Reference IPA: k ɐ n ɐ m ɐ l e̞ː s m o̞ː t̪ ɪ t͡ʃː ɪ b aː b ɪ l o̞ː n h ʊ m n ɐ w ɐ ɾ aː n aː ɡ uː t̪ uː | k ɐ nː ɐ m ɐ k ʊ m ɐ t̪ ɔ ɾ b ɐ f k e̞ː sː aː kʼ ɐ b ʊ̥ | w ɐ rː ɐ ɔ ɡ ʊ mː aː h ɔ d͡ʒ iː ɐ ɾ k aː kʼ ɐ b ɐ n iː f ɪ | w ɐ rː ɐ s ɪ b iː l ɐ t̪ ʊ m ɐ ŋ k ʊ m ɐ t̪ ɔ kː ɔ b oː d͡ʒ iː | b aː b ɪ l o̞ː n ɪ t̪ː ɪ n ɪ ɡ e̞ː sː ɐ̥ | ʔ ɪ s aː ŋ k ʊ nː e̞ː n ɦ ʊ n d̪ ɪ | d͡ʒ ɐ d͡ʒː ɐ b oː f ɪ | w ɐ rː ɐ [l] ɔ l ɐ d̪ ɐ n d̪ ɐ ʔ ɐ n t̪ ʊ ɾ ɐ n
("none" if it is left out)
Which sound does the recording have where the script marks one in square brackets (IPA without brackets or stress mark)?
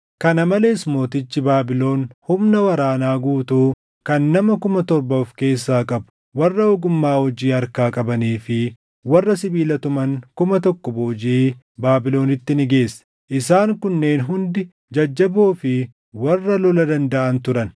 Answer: l